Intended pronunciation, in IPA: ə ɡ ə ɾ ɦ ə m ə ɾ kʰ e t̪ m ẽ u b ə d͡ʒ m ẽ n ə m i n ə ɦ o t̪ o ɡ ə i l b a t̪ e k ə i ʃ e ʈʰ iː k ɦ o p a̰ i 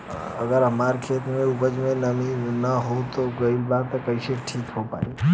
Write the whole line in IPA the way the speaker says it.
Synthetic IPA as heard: ə ɡ ə ɾ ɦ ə m a ɾ kʰ e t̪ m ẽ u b ə d͡ʒ m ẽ n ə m i n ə ɦ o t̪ o ɡ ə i l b a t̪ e k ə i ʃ e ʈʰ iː k ɦ o p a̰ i